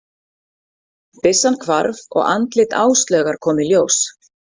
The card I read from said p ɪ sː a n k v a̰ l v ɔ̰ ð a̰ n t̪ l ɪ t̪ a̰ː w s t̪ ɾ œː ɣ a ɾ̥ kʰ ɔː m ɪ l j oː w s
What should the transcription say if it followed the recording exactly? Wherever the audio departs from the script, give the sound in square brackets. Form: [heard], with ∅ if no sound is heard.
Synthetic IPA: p ɪ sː a n [kʰ] v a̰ [ɾ] v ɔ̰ [ɣ] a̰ n t̪ l ɪ t̪ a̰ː w s t̪ [l] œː ɣ a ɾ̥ kʰ ɔː m ɪ l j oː w s